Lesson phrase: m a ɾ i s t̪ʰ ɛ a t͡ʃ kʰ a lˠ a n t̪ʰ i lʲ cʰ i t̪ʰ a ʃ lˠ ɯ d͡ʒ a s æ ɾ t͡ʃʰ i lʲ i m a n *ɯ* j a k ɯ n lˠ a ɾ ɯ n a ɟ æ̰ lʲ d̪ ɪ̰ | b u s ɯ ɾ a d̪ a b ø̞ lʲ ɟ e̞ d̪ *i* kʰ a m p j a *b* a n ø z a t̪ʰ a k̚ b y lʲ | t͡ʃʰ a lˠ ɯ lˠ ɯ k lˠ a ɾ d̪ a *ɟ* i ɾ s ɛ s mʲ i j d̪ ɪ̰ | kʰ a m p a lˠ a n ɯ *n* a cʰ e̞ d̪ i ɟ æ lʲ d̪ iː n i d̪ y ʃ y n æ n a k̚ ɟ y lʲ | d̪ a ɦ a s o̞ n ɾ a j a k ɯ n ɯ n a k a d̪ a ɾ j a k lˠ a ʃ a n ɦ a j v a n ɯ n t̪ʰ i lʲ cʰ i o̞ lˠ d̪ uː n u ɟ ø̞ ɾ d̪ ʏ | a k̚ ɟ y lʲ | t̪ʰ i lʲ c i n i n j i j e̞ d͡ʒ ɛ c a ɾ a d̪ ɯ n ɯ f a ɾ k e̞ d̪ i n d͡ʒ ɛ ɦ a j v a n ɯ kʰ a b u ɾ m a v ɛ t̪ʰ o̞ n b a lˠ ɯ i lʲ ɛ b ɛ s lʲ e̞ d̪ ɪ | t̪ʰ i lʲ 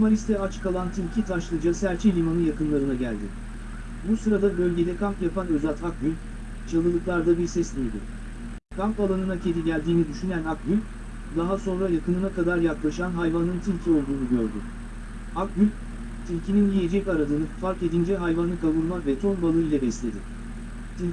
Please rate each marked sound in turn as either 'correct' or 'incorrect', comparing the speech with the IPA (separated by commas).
correct, incorrect, incorrect, incorrect, correct